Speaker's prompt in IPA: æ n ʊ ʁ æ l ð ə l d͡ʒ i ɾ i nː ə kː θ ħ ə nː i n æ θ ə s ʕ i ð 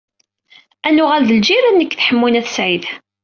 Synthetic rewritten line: æ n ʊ ʁ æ l ð ə l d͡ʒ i ɾ æ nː ə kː θ ħ ə mː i n æ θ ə s ʕ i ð